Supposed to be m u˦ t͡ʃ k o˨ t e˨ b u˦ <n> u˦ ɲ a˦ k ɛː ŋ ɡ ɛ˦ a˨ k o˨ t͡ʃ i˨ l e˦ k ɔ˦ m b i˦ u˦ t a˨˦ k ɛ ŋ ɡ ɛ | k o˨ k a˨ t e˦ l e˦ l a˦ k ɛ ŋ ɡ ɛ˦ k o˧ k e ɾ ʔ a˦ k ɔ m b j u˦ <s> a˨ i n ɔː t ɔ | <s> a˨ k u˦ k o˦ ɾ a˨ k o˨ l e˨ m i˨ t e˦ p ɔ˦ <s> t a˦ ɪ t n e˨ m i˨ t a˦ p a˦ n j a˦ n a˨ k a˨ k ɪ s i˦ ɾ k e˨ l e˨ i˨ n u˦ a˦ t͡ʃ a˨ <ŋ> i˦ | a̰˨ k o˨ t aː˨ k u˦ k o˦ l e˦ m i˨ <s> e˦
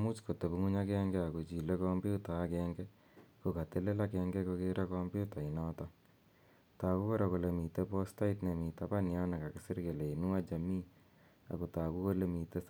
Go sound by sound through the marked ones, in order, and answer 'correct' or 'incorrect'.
incorrect: ŋ, incorrect: t, incorrect: t, correct, incorrect: m, incorrect: t

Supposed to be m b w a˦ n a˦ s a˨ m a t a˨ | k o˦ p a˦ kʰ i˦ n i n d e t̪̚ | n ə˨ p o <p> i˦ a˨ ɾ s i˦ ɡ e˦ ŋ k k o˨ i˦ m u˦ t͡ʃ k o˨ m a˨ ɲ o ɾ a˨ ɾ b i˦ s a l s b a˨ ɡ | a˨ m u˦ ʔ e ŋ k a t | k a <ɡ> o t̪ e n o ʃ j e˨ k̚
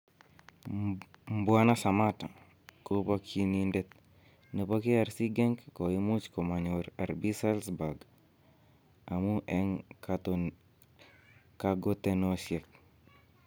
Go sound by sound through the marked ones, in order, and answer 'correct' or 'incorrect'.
incorrect: k, correct

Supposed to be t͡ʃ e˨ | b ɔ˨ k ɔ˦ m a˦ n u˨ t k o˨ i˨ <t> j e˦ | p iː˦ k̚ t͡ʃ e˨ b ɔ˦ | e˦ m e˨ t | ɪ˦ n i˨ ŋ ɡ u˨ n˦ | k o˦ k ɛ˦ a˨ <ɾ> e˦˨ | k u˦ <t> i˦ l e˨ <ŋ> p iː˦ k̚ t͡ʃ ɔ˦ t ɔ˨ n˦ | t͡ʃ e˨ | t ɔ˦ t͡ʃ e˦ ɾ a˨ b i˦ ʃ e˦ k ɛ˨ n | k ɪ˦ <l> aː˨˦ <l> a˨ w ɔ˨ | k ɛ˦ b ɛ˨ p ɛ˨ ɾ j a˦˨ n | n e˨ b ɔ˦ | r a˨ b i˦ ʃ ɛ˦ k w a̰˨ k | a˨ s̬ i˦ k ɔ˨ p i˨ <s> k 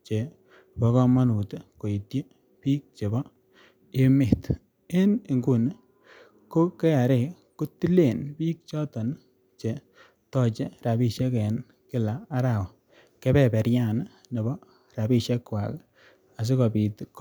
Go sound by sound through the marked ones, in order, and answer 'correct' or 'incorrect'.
correct, correct, correct, incorrect: n, correct, incorrect: ɾ, incorrect: t

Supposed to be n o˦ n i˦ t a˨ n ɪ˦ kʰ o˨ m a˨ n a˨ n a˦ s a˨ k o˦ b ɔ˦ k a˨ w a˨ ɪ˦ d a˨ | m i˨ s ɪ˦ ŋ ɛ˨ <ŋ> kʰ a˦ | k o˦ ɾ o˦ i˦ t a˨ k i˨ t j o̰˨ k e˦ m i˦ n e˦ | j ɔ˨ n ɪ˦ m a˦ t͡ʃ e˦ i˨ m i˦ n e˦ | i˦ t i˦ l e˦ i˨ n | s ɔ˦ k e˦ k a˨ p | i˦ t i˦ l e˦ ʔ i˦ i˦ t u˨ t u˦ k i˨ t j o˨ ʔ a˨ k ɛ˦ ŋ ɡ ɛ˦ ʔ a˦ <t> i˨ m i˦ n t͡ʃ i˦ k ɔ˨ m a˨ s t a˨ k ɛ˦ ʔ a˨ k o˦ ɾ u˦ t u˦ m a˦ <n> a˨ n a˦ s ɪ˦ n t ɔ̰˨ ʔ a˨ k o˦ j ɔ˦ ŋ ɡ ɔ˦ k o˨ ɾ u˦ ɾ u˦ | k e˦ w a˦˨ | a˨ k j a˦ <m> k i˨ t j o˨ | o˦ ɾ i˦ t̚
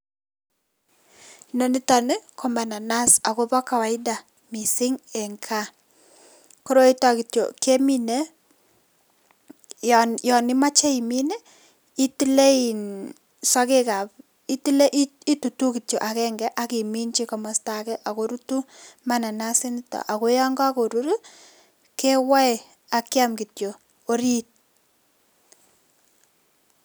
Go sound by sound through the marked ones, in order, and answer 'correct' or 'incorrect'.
correct, incorrect: k, correct, correct

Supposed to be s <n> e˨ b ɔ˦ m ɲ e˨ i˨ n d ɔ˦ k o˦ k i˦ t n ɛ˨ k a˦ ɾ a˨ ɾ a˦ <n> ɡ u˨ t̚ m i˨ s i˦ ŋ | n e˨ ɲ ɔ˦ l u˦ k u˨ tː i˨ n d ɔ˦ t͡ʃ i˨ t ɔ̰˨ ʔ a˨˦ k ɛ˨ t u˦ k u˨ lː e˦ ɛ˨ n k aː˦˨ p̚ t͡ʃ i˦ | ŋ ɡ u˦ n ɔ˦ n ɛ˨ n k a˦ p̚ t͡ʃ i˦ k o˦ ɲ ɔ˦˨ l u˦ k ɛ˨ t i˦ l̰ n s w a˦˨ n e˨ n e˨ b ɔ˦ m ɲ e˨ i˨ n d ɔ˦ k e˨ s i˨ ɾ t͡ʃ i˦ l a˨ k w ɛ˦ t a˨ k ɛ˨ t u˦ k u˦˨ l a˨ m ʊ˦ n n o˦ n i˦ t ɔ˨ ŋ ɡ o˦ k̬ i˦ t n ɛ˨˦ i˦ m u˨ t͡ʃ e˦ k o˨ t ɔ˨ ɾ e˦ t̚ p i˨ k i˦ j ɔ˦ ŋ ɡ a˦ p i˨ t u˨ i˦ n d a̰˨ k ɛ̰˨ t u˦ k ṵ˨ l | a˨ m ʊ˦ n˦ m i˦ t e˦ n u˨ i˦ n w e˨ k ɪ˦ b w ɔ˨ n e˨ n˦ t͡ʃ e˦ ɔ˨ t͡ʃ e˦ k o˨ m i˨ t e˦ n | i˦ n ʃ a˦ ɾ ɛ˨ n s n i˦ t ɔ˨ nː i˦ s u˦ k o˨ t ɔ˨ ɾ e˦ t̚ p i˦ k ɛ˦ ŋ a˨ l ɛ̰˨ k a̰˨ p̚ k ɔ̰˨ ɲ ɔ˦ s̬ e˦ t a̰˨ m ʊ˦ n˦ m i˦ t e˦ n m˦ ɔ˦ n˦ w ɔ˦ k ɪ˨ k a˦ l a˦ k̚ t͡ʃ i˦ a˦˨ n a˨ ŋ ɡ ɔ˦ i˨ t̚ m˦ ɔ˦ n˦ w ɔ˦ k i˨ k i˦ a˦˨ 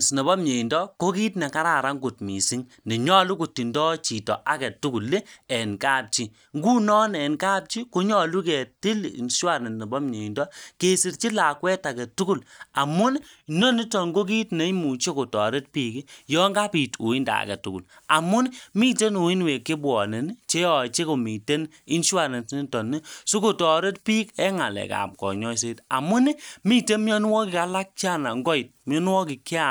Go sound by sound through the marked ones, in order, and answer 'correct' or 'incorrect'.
correct, incorrect: ŋ

